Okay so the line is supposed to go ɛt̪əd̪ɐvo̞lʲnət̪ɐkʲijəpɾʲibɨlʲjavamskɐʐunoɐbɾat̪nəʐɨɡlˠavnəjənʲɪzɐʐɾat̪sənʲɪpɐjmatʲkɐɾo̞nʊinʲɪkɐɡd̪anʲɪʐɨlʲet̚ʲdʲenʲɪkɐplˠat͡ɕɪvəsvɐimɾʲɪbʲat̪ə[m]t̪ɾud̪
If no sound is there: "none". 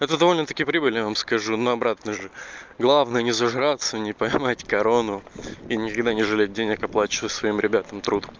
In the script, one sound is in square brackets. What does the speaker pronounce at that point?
m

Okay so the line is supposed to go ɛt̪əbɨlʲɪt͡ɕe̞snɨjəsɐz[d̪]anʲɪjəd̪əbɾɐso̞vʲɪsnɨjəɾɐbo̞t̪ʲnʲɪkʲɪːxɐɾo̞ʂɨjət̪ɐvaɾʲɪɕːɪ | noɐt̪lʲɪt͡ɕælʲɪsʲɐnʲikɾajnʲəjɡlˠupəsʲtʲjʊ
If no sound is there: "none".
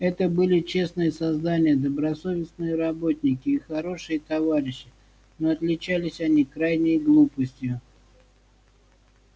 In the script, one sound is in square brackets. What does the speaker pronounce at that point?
d̪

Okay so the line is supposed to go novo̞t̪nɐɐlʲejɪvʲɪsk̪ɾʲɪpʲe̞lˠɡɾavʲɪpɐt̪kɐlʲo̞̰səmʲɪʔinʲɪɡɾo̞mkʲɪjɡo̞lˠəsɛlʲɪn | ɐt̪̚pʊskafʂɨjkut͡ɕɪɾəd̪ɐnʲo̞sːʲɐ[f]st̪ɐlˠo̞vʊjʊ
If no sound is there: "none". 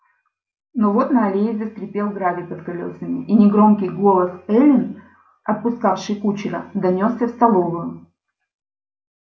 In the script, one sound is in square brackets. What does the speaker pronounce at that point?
f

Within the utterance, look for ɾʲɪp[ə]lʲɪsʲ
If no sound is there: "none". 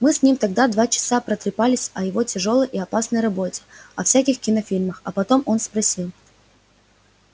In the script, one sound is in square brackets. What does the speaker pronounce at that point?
a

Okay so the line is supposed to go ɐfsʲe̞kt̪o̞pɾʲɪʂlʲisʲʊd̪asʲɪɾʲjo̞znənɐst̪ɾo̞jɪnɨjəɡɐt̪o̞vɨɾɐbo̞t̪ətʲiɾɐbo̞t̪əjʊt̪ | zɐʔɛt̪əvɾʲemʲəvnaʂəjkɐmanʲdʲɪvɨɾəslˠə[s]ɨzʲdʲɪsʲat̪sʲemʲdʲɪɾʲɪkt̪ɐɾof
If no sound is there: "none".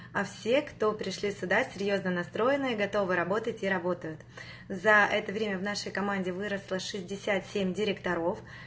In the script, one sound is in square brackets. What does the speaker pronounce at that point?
ʂ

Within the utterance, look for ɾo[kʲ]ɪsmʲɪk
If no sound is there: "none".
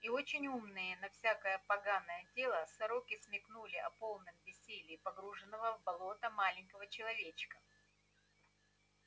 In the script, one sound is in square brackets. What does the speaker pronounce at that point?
kʲ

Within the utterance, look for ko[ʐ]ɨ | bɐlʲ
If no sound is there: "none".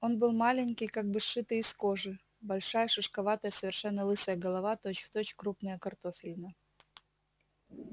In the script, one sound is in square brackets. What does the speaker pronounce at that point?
ʐ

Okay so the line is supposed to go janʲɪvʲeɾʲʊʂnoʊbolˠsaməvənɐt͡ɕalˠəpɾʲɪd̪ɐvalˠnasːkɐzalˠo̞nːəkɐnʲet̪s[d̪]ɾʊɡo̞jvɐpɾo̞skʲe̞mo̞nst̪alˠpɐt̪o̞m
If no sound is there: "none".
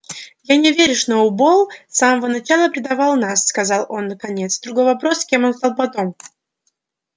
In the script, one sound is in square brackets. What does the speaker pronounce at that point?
d̪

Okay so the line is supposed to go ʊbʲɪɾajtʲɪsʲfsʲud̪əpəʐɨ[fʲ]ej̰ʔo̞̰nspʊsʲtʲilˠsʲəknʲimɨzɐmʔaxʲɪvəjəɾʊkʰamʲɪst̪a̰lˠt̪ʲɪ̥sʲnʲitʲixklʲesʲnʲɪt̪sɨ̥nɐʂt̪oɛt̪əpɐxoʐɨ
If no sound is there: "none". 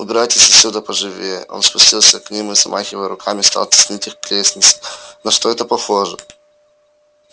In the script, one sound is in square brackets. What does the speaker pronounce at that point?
vʲ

